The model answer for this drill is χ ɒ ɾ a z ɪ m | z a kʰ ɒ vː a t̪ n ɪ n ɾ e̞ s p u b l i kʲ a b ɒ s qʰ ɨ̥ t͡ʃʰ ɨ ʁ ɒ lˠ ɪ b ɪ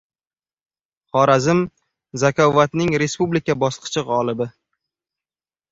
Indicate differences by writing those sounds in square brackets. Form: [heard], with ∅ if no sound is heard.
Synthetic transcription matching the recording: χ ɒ ɾ a z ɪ m | z a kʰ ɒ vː a t̪ n ɪ [ŋ] ɾ e̞ s p u b l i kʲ a b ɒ s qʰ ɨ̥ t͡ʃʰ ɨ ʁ ɒ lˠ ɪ b ɪ